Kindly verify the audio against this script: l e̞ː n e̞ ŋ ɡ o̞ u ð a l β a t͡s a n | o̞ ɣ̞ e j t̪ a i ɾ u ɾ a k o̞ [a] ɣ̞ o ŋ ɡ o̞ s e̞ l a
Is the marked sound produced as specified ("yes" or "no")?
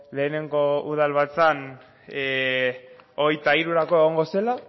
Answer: no